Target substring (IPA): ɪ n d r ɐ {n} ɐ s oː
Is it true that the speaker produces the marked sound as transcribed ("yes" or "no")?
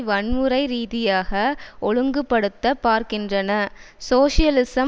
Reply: yes